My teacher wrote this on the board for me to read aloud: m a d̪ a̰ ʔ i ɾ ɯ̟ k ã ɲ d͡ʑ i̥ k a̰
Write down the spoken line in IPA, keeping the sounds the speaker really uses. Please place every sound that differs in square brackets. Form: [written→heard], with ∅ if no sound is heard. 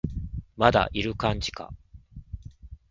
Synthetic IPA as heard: m a d̪ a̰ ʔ i ɾ ɯ̟ k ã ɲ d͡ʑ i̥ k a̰